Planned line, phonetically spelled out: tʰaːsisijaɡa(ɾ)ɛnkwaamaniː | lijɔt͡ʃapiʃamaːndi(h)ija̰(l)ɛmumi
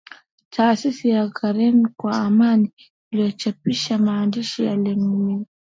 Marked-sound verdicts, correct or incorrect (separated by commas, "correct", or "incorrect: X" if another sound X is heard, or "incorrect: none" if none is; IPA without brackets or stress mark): correct, incorrect: ʃ, correct